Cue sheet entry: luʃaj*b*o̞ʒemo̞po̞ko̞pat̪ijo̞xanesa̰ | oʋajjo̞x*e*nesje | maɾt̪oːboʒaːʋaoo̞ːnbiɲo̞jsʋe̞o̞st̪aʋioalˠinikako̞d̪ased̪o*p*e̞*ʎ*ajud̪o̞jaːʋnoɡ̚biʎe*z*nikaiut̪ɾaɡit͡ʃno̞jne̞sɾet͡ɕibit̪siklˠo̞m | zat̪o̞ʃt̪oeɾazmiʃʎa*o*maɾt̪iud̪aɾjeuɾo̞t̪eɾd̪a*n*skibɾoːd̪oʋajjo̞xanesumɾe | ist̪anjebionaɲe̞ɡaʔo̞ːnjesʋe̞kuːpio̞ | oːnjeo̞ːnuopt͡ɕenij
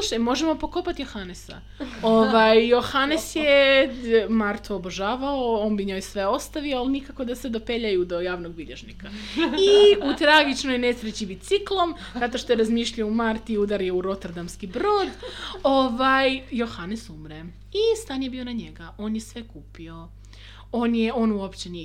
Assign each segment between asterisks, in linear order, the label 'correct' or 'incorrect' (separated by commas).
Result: incorrect, incorrect, correct, correct, incorrect, incorrect, incorrect